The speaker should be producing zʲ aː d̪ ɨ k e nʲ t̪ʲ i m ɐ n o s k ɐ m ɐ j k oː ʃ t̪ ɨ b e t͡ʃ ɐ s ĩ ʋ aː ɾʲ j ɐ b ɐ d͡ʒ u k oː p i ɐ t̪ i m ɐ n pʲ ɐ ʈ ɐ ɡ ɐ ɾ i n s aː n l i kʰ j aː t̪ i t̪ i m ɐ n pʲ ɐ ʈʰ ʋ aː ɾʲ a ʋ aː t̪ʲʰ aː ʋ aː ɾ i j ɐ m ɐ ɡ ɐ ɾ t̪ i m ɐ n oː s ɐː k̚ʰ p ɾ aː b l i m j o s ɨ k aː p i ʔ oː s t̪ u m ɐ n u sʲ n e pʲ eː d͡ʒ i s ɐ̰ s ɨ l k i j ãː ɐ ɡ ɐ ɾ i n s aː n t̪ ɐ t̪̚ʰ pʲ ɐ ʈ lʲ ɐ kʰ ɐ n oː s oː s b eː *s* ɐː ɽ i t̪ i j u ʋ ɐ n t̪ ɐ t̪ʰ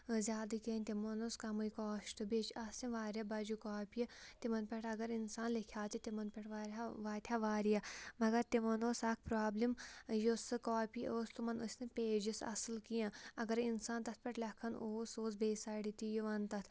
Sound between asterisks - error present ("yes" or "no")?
no